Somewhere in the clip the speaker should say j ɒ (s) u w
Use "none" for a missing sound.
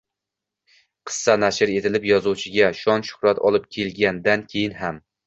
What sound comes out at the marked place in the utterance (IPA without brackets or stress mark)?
z